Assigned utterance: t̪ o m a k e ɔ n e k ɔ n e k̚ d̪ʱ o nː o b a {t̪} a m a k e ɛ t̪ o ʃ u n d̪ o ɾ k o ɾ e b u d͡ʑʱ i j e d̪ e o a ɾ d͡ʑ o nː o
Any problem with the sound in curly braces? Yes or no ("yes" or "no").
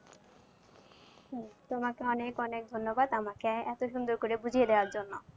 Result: yes